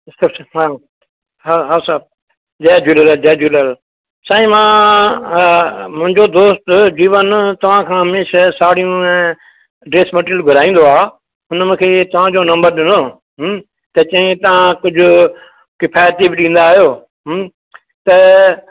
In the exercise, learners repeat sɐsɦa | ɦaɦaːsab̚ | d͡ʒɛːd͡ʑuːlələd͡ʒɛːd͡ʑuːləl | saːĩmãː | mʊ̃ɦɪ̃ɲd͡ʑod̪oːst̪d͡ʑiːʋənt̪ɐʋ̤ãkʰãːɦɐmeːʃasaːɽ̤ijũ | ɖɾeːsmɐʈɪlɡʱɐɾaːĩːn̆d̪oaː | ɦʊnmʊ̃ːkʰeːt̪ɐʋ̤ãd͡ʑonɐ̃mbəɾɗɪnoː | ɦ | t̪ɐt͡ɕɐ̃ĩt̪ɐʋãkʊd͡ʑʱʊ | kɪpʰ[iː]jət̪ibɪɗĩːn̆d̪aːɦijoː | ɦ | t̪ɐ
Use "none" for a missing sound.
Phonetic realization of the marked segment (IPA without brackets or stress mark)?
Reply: aː